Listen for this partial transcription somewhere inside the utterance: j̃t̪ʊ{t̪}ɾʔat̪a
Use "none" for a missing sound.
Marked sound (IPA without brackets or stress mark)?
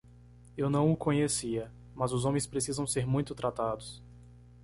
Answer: t̪